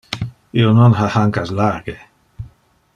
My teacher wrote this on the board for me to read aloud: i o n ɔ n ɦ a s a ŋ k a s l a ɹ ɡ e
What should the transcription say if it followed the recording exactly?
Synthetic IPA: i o n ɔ n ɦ a h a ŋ k a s l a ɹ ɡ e

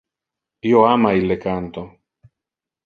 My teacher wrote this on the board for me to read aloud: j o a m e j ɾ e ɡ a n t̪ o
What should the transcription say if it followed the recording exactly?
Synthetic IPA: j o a m a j l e k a n t̪ o

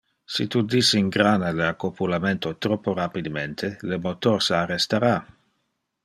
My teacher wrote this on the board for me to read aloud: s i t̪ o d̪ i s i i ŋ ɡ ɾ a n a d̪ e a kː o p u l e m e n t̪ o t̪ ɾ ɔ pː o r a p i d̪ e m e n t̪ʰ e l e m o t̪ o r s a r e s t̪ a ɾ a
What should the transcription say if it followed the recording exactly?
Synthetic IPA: s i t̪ u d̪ i s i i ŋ ɡ ɾ a n a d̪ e a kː o p u l a m e n t̪ o t̪ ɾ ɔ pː o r a p i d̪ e m e n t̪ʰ e l e m o t̪ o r s a r e s t̪ a ɾ a

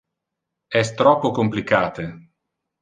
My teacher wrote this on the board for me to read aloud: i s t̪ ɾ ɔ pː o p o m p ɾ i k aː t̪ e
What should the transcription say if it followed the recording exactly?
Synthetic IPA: ɛ s t̪ ɾ ɔ pː o k o m p l i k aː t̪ e

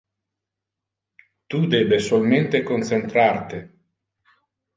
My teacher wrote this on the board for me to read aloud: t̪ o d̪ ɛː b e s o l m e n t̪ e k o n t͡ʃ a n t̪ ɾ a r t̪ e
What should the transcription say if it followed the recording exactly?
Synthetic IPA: t̪ u d̪ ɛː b e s o l m e n t̪ e k o n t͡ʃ e n t̪ ɾ a r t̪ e

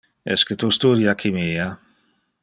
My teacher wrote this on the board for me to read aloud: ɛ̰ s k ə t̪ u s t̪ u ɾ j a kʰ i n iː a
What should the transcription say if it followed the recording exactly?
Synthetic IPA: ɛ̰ s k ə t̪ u s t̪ u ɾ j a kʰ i m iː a

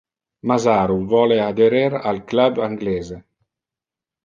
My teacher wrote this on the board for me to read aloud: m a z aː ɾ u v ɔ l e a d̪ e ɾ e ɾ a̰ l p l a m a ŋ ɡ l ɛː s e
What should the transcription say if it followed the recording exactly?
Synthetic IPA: m a z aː ɾ u v ɔ l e a d̪ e ɾ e ɾ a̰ l k l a b a ŋ ɡ l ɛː z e

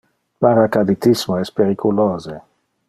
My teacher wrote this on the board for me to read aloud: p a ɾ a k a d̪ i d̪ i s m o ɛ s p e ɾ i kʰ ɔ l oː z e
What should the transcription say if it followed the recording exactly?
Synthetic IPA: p a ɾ a k a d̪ i t̪ i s m o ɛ s p e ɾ i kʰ u l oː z e

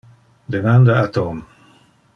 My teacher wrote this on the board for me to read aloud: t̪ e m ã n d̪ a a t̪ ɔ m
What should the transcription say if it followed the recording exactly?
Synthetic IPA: d̪ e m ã n d̪ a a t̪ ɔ m

